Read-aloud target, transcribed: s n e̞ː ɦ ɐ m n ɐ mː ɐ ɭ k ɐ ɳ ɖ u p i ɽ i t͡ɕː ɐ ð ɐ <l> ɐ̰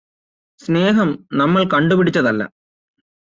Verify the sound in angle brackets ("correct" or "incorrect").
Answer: incorrect